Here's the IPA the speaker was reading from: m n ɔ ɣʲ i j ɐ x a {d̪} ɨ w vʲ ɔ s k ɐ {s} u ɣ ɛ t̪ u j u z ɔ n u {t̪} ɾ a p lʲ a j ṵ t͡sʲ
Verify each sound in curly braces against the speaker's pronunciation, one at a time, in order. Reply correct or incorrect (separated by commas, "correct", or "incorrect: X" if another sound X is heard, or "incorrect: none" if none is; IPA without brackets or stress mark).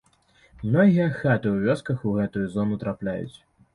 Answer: incorrect: t̪, incorrect: x, correct